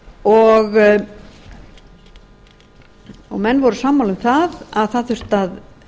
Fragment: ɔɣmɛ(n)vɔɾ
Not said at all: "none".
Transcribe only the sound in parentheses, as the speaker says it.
nː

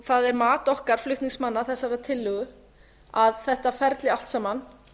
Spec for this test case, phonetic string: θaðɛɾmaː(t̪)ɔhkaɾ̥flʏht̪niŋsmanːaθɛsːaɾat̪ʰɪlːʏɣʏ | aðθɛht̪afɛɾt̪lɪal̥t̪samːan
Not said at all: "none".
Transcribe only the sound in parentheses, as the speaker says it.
t̪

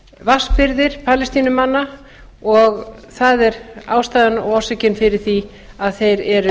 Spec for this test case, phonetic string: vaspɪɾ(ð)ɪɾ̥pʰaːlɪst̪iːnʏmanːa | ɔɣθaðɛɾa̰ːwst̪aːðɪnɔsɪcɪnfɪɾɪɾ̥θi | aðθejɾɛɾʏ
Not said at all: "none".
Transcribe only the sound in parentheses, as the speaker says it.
ð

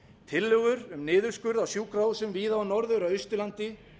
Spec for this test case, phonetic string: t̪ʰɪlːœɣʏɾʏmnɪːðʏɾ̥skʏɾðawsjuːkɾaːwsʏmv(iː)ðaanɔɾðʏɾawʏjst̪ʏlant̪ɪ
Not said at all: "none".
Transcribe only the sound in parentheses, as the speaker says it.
iː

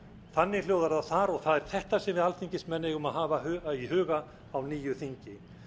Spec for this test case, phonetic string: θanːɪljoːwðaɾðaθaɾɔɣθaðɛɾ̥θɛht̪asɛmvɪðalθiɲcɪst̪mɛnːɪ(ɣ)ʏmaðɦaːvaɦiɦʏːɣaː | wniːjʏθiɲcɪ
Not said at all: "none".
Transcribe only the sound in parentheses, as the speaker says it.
ɣ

